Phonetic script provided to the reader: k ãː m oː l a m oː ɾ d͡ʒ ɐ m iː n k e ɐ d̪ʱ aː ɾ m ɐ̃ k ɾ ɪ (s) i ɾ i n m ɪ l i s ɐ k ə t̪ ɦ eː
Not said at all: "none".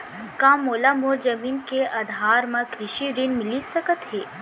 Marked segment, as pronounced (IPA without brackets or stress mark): ʃ